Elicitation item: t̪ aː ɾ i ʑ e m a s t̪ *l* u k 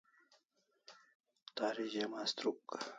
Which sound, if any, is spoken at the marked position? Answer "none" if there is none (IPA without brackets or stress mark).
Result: ɾ